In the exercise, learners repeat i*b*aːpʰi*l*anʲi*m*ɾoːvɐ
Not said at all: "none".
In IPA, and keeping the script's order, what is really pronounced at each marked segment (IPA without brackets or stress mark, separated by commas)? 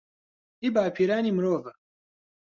b, ɾ, m